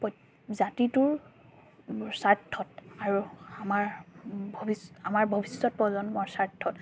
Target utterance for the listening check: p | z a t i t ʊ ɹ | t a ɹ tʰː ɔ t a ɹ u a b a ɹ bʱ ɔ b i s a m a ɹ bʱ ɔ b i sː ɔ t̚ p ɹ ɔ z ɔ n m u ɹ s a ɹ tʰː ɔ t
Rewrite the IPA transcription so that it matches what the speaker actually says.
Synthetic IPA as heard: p | z a t i t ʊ ɹ | s a ɹ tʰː ɔ t a ɹ u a m a ɹ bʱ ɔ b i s a m a ɹ bʱ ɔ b i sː ɔ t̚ p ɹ ɔ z ɔ n m ɔ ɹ s a ɹ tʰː ɔ t